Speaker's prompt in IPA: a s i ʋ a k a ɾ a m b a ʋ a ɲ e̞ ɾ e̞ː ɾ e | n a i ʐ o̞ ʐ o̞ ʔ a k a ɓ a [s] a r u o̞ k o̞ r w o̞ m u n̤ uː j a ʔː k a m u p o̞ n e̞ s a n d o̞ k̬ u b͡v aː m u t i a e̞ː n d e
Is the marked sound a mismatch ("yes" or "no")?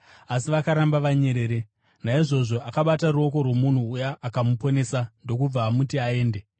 yes